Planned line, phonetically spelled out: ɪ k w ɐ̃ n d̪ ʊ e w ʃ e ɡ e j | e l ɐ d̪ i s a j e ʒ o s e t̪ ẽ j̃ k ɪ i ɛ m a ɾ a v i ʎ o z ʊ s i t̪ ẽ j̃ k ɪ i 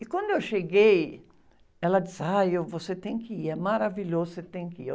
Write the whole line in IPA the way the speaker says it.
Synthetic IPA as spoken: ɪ k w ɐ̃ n d̪ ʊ e w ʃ e ɡ e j | ɛ l ɐ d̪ i s a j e v o s e t̪ ẽ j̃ k ɪ i ɛ m a ɾ a v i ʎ o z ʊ s e t̪ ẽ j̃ k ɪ i